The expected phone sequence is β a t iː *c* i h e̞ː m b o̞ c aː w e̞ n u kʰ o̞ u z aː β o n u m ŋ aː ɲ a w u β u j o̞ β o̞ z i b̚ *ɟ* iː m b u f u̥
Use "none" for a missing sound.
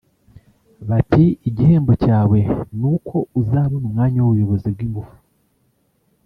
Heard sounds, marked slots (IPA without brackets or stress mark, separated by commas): ɟ, ɡ